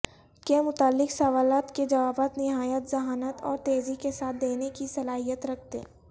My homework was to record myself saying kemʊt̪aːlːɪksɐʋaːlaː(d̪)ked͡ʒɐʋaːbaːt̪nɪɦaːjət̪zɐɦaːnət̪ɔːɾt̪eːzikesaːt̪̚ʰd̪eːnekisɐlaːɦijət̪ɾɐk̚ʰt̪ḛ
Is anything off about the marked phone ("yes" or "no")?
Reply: yes